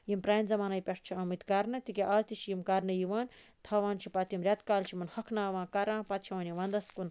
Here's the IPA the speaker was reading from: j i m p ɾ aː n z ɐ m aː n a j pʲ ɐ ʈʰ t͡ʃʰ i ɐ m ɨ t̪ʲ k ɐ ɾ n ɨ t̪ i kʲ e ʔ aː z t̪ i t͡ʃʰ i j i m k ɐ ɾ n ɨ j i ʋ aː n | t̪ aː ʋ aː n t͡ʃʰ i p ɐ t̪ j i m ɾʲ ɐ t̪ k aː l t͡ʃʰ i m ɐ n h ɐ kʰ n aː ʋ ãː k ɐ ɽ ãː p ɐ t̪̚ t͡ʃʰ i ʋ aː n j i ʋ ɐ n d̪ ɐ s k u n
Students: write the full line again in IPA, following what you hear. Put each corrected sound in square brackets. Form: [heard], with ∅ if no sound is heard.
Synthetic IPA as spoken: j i m p ɾ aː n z ɐ m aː n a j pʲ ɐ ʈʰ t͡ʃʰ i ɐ m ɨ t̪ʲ k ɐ ɾ n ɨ t̪ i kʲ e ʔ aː z t̪ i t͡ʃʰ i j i m k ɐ ɾ n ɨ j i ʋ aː n | [t̪ʰ] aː ʋ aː n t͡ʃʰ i p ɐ t̪ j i m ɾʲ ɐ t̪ k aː l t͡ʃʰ i m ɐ n h ɐ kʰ n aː ʋ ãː k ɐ [ɾ] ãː p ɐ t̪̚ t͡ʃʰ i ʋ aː n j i ʋ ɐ n d̪ ɐ s k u n